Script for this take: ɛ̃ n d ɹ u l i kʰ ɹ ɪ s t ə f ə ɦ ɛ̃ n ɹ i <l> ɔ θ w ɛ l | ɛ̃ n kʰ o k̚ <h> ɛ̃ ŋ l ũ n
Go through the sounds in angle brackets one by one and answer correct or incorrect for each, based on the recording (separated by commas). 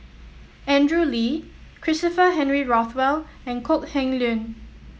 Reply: incorrect, correct